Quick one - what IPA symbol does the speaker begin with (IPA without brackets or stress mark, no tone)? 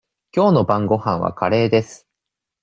kʲ